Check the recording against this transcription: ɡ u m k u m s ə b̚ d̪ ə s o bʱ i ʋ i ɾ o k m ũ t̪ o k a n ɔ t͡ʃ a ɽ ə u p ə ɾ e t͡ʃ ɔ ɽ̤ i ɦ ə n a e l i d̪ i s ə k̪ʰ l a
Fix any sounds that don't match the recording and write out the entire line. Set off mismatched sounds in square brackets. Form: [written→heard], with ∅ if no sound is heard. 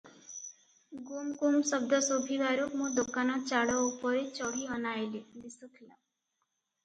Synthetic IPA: ɡ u m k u m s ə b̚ d̪ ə s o bʱ i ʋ [i→a] ɾ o k m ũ [t̪→d̪] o k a n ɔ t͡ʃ a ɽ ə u p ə ɾ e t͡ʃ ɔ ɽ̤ i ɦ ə n a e l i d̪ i s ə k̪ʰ l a